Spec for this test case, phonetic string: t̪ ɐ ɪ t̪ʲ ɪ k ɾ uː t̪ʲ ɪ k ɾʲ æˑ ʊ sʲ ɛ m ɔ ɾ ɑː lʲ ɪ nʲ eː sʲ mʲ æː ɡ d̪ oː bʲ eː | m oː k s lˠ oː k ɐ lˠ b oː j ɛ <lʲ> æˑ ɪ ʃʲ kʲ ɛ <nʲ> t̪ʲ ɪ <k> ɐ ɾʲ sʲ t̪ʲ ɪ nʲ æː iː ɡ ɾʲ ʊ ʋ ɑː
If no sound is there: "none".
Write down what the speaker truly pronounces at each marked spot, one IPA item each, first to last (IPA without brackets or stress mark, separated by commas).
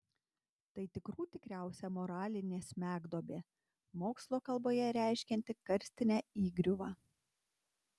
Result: ɾʲ, nʲ, k